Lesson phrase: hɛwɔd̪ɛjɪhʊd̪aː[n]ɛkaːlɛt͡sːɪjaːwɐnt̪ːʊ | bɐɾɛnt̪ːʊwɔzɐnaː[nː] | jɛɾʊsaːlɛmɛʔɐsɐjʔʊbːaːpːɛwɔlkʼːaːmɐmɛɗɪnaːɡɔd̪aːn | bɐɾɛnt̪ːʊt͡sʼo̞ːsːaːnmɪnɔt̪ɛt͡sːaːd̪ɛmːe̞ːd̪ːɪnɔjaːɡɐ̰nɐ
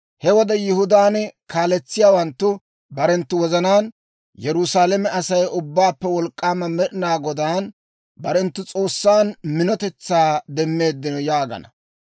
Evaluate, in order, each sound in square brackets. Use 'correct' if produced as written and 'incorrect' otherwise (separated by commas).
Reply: correct, incorrect